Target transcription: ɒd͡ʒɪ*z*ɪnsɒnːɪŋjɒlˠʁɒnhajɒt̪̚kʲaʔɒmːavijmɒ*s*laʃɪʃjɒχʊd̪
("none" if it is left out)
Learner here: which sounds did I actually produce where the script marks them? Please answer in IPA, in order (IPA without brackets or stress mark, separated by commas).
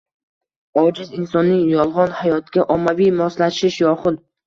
z, s